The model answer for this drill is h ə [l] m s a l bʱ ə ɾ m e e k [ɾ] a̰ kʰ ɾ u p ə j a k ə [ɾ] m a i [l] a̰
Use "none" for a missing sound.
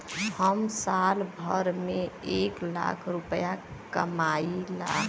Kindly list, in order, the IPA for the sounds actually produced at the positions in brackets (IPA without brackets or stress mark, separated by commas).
none, l, none, l